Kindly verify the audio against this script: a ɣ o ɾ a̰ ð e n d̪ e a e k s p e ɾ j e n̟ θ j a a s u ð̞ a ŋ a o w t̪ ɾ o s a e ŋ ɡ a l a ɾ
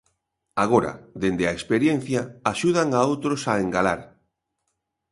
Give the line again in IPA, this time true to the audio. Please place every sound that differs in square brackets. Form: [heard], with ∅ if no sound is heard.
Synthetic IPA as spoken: a ɣ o ɾ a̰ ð e n d̪ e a e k s p e ɾ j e n̟ θ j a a [ʃ] u ð̞ a ŋ a o w t̪ ɾ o s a e ŋ ɡ a l a ɾ